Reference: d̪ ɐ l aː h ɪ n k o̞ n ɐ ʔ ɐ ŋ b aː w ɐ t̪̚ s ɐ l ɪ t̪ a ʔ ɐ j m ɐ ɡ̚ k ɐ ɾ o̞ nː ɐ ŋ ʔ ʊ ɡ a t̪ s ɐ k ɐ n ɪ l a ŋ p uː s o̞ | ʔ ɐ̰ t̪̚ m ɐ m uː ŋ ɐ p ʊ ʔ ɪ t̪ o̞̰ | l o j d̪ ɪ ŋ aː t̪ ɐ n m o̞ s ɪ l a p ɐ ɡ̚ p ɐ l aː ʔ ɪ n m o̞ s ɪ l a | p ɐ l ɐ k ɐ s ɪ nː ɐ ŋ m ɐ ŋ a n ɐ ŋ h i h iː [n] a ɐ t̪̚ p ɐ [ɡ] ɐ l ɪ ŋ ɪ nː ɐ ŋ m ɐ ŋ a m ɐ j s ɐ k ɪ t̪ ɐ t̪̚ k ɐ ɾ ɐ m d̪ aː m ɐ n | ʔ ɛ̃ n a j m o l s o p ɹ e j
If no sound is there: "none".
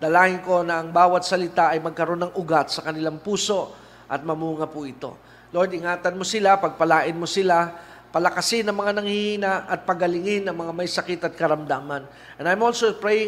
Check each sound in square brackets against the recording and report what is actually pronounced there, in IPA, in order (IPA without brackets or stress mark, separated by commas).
n, ɡ